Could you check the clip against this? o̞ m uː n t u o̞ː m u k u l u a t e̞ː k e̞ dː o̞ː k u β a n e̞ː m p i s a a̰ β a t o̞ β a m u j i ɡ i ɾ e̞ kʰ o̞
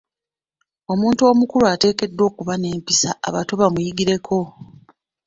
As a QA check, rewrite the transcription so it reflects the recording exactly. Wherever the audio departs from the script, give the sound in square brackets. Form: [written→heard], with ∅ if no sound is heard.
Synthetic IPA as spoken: o̞ m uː n t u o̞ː m u k u l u a t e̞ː k e̞ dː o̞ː k u β a n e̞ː m p i s a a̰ β a t o̞ β a m u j i ɡ i ɾ e̞ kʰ o̞

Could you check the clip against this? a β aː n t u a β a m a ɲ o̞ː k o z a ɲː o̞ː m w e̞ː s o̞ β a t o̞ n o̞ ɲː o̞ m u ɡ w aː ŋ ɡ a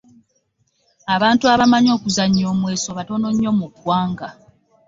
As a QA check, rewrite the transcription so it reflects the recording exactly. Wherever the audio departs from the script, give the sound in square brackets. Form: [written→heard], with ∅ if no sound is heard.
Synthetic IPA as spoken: a β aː n t u a β a m a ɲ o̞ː k [o→u] z a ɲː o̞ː m w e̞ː s o̞ β a t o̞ n o̞ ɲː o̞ m u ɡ w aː ŋ ɡ a

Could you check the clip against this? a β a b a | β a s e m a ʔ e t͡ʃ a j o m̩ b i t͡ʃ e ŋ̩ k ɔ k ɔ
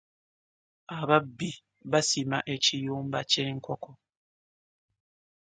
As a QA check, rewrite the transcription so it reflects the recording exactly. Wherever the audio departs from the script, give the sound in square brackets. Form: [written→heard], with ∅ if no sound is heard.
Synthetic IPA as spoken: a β a b [a→i] | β a s [e→i] m a ʔ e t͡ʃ [a→i] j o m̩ b [i→a] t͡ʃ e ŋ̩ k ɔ k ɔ

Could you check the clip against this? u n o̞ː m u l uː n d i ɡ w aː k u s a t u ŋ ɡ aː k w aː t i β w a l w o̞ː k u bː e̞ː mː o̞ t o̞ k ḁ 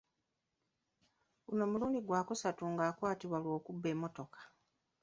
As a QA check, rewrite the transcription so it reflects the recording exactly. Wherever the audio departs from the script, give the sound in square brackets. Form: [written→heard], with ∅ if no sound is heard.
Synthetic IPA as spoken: u n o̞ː m u l uː n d i ɡ w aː k u s a t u ŋ ɡ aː k w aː t i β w a l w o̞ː k u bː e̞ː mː o̞ t o̞ k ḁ

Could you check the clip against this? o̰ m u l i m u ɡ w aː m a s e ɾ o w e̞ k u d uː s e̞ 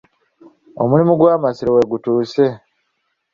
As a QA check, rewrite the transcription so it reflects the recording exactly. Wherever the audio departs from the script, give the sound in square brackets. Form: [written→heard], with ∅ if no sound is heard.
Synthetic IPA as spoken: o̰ m u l i m u ɡ w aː m a s [e→i] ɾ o w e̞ [k→ɡ] u [d→t] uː s e̞

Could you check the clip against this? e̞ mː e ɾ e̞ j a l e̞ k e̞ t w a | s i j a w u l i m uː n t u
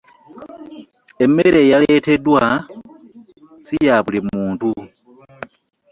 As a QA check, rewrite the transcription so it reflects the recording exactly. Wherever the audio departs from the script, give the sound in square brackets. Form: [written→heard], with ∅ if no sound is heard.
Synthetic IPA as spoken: e̞ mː e ɾ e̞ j a l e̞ [k→t] e̞ [t→d] w a | s i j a [w→β] u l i m uː n t u

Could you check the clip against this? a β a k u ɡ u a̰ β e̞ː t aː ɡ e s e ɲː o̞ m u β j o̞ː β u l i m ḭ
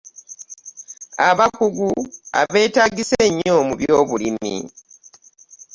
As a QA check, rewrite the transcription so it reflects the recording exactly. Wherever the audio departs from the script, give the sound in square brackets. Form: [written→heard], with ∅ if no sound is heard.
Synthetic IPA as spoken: a β a k u ɡ u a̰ β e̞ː t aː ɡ [e→i] s e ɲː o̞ m u β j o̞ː β u l i m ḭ

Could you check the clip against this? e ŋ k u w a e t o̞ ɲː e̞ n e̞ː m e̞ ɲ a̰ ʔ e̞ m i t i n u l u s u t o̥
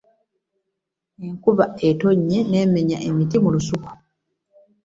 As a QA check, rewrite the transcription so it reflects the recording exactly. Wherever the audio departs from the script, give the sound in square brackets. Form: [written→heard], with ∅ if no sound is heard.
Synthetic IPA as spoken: e ŋ k u [w→β] a e t o̞ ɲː e̞ n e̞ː m e̞ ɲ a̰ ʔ e̞ m i t i [n→m] u l u s u [t→k] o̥

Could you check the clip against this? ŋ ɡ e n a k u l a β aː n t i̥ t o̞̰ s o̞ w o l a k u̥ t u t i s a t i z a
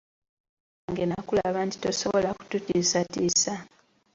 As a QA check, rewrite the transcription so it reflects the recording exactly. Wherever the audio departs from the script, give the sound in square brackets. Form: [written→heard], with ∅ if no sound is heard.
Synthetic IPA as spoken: ŋ ɡ e n a k u l a β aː n t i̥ t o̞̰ s o̞ [w→β] o l a k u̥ t u t i s a t i [z→s] a

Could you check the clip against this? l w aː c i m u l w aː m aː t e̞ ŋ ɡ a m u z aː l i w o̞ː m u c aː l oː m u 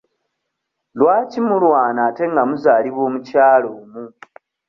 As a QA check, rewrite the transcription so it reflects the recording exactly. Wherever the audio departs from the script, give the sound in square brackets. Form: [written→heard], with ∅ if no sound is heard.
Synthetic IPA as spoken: l w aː c i m u l w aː [m→n] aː t e̞ ŋ ɡ a m u z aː l i [w→β] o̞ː m u c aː l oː m u

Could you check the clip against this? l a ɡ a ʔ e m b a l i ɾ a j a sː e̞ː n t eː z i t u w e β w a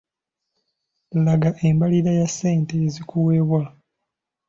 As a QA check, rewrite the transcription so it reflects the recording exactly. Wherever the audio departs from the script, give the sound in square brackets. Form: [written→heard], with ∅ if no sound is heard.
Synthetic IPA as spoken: l a ɡ a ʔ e m b a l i ɾ a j a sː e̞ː n t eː z i [t→k] u w e β w a

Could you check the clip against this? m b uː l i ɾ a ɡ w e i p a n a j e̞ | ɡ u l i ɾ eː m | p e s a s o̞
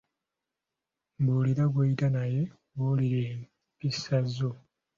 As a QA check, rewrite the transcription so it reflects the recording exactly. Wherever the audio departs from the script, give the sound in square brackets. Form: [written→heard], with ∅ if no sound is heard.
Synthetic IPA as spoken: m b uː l i ɾ a ɡ w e i [p→t] a n a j e̞ | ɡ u l i ɾ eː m | p [e→i] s a [s→z] o̞

